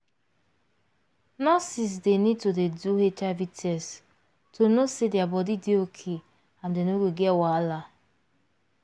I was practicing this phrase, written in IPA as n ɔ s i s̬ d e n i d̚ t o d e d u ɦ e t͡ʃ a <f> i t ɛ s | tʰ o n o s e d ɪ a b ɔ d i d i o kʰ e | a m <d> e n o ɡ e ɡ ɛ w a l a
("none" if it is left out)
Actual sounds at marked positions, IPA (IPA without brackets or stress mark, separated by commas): v, d